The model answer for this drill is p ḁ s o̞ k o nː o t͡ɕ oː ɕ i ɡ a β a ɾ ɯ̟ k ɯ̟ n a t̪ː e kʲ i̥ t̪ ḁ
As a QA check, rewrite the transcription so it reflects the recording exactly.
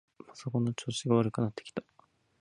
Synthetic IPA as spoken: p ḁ s o̞ k o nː o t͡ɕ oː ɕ i ɡ a β a ɾ ɯ̟ k ɯ̟ n a t̪ː e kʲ i̥ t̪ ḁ